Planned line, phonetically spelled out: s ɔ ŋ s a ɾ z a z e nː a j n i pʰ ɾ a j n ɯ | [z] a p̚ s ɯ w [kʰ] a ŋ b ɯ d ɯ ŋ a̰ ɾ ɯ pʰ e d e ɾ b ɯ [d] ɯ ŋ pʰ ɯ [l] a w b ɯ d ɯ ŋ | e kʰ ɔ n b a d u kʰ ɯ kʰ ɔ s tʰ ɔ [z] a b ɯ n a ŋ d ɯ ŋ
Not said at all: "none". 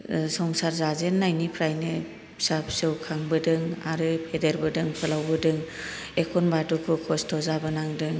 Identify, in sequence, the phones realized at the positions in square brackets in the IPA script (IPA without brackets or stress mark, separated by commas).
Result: s, kʰ, d, l, z